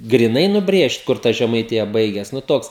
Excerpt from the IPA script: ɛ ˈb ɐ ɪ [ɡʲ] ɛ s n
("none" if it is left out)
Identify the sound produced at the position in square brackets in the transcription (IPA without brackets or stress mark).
ɡʲ